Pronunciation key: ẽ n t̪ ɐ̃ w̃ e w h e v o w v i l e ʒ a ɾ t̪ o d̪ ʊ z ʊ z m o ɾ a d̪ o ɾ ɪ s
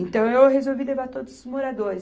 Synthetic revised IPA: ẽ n t̪ ɐ̃ w̃ e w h e z o w v i l e v a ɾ t̪ o d̪ ʊ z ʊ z m o ɾ a d̪ o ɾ ɪ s